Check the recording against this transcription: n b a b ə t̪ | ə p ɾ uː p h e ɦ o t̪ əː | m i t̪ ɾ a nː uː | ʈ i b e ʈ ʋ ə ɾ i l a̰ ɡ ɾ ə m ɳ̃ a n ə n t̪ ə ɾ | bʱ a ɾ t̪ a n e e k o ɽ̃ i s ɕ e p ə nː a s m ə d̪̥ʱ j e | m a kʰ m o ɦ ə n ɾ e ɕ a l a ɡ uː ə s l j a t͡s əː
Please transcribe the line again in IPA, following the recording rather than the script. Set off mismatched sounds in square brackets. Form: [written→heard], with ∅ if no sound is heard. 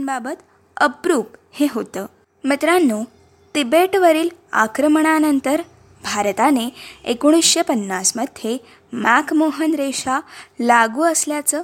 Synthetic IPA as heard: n b a b ə t̪ | ə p ɾ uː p h e ɦ o t̪ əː | m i t̪ ɾ a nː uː | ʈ i b e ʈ ʋ ə ɾ [i→iː] l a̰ [ɡ→k] ɾ ə m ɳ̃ a n ə n t̪ ə ɾ | bʱ a ɾ t̪ a n e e k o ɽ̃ i s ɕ e p ə nː a s m ə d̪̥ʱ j e | m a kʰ m o ɦ ə n ɾ e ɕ a l a ɡ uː ə s l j a t͡s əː